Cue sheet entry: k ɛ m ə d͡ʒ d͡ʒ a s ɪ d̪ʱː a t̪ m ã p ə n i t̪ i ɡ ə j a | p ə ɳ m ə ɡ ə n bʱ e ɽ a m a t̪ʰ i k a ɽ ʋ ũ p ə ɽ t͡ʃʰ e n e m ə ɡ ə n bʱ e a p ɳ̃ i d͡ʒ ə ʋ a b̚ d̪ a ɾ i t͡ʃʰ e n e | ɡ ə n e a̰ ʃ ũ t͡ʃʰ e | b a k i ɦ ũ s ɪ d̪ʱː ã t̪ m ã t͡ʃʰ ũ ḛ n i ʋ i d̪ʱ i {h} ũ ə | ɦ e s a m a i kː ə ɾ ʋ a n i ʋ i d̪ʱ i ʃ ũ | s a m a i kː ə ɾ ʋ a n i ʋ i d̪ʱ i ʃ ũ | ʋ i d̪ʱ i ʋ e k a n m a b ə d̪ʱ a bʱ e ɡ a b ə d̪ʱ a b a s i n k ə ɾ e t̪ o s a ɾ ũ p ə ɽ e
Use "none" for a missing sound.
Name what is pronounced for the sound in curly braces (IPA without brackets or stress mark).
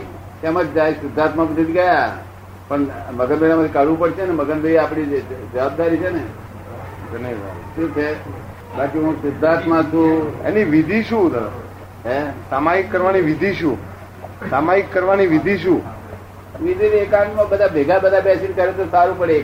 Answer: ʃ